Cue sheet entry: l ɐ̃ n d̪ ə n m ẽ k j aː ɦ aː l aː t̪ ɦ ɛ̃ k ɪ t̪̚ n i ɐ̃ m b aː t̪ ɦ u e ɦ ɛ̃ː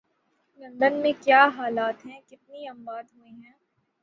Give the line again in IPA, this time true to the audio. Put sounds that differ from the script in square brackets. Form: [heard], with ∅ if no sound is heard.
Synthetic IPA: l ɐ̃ n d̪ ə n m ẽ k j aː ɦ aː l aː t̪ ɦ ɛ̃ k ɪ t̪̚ n i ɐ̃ m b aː [d̪] ɦ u e ɦ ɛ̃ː